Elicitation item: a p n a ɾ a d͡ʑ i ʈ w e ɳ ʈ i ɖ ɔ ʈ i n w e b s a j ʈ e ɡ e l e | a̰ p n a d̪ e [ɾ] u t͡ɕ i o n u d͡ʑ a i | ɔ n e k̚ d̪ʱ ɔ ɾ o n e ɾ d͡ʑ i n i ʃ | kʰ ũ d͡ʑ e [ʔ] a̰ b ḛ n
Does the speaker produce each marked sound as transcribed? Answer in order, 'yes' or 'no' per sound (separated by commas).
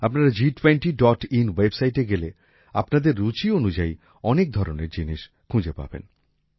no, no